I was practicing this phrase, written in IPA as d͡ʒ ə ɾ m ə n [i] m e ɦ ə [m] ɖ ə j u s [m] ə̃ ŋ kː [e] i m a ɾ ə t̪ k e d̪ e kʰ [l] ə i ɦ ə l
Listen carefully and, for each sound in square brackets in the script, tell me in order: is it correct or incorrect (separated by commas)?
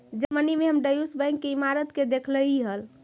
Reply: correct, correct, incorrect, correct, correct